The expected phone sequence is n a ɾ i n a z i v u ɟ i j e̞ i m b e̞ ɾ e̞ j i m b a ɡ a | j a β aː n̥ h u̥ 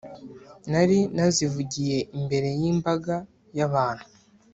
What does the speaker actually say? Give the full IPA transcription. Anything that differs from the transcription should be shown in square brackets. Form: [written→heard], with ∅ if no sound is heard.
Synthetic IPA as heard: n a ɾ i n a z i v u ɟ i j e̞ i m b e̞ ɾ e̞ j i m b a ɡ a | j a β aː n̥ h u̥

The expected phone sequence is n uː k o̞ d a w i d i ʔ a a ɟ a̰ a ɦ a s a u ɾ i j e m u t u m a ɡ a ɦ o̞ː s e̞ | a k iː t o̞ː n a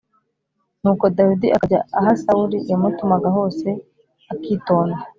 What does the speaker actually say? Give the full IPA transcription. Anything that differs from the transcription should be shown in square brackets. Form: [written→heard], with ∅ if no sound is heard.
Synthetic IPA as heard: n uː k o̞ d a w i d i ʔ a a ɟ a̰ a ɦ a s a u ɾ i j [e→a] m u t u m a ɡ a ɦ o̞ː s e̞ | a k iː t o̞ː n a

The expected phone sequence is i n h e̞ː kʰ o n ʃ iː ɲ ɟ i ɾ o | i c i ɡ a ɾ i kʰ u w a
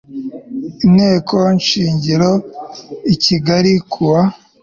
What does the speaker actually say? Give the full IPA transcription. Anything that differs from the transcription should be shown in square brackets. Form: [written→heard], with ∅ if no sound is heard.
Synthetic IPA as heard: i n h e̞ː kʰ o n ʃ iː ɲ ɟ i ɾ o | i c i ɡ a ɾ i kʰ u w a

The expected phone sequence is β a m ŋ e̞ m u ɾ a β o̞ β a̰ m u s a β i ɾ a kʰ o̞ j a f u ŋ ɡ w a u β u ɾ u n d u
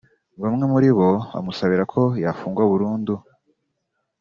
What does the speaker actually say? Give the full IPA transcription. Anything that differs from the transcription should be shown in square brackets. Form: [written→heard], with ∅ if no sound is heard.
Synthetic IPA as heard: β a m ŋ e̞ m u ɾ [a→i] β o̞ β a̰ m u s a β i ɾ a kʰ o̞ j a f [u→uː] ŋ ɡ w a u β u ɾ [u→uː] n d u

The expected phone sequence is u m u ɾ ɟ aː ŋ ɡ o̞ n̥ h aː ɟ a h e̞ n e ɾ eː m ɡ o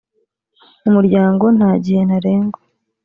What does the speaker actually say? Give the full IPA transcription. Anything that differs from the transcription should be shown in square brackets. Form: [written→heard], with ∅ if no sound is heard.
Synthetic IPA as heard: u m u ɾ ɟ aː ŋ ɡ o̞ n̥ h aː ɟ [a→i] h e̞ n [e→a] ɾ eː [m→ŋ] ɡ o

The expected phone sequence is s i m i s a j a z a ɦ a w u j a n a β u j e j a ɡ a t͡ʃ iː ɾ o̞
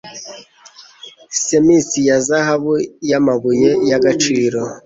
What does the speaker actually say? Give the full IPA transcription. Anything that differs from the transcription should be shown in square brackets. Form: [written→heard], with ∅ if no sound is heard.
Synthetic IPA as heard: s [i→e] m i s [a→i] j a z a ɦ a [w→β] u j a [n→m] a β u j e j a ɡ a t͡ʃ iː ɾ o̞

